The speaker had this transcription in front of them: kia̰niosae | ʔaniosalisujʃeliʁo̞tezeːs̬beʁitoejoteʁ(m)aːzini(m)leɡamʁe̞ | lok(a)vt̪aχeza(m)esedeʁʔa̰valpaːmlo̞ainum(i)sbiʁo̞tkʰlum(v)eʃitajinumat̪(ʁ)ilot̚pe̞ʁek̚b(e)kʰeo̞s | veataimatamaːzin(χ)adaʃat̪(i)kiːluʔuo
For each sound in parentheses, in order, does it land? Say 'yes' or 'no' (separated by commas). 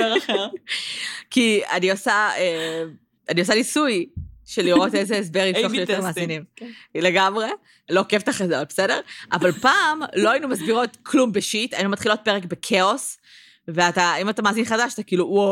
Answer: yes, yes, no, no, no, no, no, yes, yes, no